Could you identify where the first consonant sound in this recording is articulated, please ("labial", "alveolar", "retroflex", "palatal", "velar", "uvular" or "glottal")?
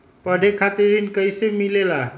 labial